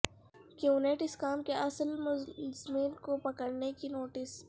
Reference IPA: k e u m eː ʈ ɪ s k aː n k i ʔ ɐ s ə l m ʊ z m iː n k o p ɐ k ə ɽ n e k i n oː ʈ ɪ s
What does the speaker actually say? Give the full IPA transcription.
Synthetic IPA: k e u n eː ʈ ɪ s k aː m k e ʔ ɐ s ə l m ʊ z m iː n k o p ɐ k ə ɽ n e k i n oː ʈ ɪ s